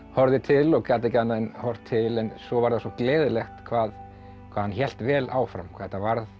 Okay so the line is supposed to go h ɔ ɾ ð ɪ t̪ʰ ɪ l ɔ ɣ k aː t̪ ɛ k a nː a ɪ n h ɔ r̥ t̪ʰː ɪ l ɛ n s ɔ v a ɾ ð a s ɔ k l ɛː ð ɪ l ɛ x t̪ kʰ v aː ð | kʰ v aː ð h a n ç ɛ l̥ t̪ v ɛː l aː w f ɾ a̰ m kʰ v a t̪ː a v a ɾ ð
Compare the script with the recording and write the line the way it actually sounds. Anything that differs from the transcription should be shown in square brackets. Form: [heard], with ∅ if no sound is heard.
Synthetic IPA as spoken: h ɔ ɾ ð ɪ t̪ʰ ɪ l ɔ ɣ k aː t̪ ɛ [c] a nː a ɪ n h ɔ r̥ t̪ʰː ɪ l ɛ n s ɔ v a ɾ ð a s ɔ k l ɛː ð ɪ l ɛ x t̪ kʰ v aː ð | kʰ v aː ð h a n ç ɛ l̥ t̪ v ɛː l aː w f ɾ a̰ m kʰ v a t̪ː a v a ɾ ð